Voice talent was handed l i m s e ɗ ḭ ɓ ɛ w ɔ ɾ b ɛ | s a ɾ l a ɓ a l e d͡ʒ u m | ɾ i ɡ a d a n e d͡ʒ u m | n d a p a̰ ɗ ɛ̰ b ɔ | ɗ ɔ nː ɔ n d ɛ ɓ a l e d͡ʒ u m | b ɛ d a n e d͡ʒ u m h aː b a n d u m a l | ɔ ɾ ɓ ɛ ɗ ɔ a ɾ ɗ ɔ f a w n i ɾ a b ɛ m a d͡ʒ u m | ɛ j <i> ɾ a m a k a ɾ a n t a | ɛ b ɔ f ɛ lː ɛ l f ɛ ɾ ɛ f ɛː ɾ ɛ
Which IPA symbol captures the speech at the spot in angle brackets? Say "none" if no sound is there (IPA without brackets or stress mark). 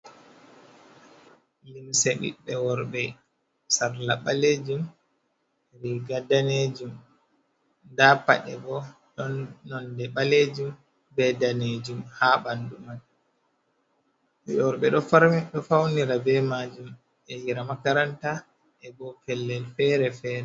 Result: i